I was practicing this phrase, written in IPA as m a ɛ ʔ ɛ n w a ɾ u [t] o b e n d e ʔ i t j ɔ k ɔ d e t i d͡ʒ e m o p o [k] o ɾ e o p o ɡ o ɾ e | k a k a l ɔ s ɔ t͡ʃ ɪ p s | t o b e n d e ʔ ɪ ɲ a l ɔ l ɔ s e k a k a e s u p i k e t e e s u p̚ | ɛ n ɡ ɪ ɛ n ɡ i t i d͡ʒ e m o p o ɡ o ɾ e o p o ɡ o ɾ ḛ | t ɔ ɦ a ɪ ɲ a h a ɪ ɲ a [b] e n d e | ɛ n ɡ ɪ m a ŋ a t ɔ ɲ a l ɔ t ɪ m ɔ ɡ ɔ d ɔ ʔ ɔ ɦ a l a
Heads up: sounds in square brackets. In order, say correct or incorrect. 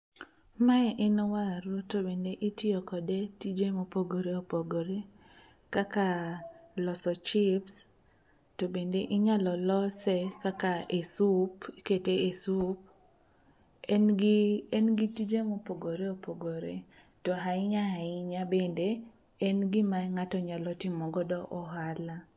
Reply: correct, incorrect, correct

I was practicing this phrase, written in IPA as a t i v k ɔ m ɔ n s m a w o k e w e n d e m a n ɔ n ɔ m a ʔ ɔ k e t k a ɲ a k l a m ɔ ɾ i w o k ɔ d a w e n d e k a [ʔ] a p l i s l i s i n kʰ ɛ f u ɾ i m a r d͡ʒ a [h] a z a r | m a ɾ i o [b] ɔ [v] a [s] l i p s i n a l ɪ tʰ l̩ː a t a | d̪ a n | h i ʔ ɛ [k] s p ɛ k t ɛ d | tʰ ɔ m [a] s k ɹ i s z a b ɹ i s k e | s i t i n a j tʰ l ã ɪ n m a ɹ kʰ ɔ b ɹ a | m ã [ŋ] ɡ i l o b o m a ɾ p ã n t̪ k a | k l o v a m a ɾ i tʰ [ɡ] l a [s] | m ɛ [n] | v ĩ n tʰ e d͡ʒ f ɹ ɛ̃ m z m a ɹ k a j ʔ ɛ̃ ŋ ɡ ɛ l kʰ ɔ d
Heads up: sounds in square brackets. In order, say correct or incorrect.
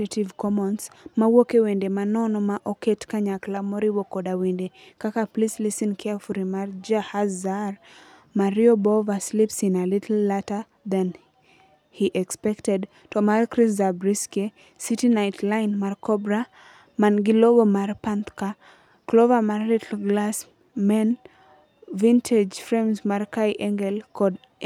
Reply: incorrect, correct, correct, correct, correct, correct, correct, incorrect, correct, correct, correct

